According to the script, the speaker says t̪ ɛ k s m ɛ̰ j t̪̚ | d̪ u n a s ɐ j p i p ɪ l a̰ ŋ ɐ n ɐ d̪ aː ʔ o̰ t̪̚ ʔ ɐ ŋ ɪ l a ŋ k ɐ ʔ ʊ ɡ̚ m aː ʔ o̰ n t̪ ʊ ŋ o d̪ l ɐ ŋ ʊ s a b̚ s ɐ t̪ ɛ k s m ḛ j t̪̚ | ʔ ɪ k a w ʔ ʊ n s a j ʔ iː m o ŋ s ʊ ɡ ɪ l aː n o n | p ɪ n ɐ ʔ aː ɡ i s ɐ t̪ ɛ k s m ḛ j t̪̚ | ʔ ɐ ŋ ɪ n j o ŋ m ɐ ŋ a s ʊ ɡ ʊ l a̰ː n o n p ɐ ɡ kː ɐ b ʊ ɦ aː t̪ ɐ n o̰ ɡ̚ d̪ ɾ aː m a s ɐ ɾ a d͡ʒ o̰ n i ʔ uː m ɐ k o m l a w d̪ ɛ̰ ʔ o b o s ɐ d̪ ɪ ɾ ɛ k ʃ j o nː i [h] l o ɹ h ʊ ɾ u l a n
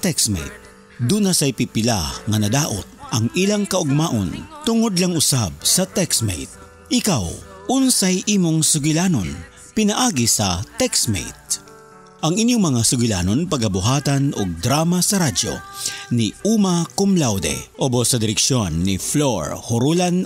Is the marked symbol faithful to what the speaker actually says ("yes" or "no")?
no